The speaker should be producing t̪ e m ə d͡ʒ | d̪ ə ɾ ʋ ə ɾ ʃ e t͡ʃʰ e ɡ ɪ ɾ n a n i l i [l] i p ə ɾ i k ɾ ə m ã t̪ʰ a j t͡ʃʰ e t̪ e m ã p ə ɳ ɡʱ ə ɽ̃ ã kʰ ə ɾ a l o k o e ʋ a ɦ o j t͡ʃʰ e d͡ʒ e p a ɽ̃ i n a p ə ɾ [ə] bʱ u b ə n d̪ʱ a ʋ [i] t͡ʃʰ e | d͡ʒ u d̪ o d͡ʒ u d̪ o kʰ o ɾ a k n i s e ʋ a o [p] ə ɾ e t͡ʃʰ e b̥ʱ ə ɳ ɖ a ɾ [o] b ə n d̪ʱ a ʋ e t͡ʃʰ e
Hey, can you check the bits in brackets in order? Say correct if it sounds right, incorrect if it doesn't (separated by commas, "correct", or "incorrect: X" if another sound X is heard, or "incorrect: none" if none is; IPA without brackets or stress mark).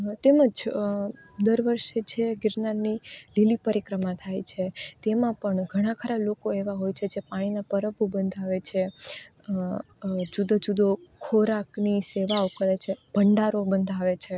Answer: correct, correct, incorrect: e, incorrect: k, correct